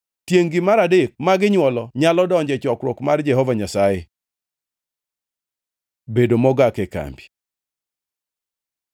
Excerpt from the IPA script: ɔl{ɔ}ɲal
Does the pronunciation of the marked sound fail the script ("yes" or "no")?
no